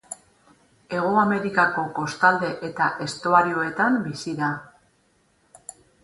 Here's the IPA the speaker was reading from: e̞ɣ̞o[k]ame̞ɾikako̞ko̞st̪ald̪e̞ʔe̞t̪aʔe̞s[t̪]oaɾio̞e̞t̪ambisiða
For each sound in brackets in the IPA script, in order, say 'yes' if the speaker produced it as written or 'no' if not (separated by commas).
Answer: no, yes